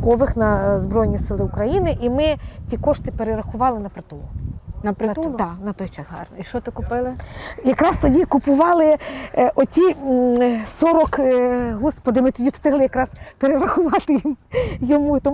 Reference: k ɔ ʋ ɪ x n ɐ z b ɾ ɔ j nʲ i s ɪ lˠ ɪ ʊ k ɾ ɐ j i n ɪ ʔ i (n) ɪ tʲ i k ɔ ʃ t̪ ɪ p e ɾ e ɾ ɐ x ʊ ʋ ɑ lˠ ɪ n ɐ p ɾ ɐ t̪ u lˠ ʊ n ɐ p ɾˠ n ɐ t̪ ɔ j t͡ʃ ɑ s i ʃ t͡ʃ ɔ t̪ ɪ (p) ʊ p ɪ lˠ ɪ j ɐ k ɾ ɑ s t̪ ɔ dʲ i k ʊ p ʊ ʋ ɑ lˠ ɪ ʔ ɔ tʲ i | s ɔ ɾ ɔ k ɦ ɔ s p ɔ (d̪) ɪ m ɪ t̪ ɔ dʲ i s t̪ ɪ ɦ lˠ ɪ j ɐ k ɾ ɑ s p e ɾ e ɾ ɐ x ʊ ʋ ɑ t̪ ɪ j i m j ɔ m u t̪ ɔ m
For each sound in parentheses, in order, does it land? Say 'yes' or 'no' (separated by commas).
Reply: no, no, yes